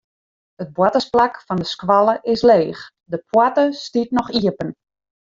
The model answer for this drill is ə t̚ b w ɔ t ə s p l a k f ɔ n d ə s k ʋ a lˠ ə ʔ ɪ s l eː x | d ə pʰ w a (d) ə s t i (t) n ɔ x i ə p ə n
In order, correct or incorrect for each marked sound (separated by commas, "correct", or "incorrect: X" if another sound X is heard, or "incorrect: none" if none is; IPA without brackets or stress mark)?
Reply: incorrect: t, correct